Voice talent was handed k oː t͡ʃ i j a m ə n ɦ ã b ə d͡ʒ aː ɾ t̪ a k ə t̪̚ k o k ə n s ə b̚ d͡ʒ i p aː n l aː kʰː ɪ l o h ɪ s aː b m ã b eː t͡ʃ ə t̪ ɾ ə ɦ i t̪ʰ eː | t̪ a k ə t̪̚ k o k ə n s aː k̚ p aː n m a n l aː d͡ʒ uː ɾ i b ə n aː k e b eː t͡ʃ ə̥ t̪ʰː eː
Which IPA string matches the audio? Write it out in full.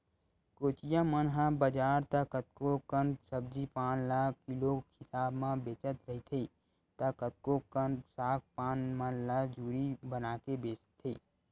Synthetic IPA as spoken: k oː t͡ʃ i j a m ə n ɦ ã b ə d͡ʒ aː ɾ t̪ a k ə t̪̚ k o k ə n s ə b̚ d͡ʒ i p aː n l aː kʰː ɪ l o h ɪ s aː b m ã b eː t͡ʃ ə t̪ ɾ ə ɦ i t̪ʰ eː | t̪ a k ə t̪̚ k o k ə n s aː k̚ p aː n m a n l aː d͡ʒ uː ɾ i b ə n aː k e b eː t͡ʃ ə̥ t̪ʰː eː